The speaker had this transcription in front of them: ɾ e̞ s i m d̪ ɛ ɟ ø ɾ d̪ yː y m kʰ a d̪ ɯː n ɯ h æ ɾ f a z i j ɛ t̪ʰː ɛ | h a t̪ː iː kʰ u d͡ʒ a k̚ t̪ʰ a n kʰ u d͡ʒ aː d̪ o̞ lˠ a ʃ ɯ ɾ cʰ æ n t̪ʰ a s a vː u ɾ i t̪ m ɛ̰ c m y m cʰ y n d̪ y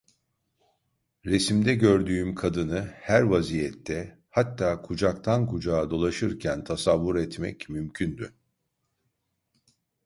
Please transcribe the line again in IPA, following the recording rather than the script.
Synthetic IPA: ɾ e̞ s i m d̪ ɛ ɟ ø ɾ d̪ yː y m kʰ a d̪ ɯ n ɯ h æ ɾ v a z i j ɛ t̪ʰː ɛ | h a t̪ː aː kʰ u d͡ʒ a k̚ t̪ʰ a n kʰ u d͡ʒ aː d̪ o̞ lˠ a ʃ ɯ ɾ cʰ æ n t̪ʰ a s a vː u ɾ ɛ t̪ m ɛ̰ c m y m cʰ y n d̪ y